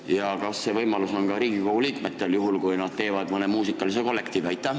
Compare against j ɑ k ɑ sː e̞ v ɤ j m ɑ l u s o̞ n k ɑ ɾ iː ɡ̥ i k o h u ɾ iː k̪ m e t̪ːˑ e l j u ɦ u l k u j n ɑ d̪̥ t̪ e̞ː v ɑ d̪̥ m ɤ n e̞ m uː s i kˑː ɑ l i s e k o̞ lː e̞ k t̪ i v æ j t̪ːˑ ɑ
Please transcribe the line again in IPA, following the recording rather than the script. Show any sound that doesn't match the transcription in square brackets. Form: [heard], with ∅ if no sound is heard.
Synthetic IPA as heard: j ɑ k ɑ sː e̞ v ɤ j m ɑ l u s o̞ n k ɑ ɾ iː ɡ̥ i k o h u [l] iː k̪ m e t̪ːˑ e l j u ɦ u l k u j n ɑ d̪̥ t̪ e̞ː v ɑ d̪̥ m ɤ n e̞ m uː s i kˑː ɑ l i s e k o̞ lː e̞ k t̪ i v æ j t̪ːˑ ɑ